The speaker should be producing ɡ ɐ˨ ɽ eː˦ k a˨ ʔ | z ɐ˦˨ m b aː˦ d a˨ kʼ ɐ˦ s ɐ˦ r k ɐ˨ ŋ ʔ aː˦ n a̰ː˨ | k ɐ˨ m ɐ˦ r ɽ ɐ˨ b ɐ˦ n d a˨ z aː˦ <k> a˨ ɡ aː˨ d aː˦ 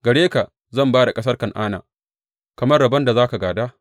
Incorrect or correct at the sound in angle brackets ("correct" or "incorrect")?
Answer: correct